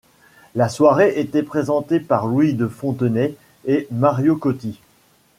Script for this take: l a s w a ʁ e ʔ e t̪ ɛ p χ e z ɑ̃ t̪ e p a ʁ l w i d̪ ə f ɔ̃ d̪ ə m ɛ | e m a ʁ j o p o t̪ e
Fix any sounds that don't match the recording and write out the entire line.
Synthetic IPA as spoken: l a s w a ʁ e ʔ e t̪ ɛ p χ e z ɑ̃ t̪ e p a ʁ l w i d̪ ə f ɔ̃ t̪ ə n ɛ | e m a ʁ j o k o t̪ i